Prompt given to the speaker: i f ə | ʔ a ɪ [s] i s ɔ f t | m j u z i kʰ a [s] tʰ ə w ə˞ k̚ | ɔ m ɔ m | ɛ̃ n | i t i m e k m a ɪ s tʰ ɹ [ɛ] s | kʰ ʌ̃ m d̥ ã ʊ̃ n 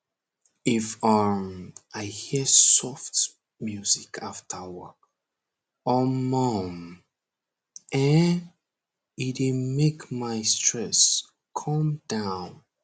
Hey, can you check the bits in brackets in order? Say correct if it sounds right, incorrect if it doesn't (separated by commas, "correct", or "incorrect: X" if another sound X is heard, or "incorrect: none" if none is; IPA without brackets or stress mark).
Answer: incorrect: h, incorrect: f, correct